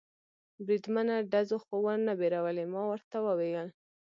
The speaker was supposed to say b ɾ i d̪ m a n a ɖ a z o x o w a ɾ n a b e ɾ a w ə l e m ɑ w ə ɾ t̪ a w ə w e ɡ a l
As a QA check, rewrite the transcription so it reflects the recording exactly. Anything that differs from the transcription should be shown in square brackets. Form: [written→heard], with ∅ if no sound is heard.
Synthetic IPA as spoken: b ɾ i d̪ m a n a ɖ a z o x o w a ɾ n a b e ɾ a w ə l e m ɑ w ə ɾ t̪ a w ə w e ɡ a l